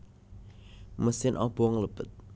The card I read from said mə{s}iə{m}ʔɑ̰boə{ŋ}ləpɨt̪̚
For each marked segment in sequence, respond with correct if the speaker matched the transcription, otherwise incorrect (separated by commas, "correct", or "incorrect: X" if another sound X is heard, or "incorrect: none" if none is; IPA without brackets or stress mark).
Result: correct, incorrect: n, correct